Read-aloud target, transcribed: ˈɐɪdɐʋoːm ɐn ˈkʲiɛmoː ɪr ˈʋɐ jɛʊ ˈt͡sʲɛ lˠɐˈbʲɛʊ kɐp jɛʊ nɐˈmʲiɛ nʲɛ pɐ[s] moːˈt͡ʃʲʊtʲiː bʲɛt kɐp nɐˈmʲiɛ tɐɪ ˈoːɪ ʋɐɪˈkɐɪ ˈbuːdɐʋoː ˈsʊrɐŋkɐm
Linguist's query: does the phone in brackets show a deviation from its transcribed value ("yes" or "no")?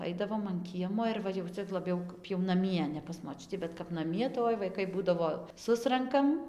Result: no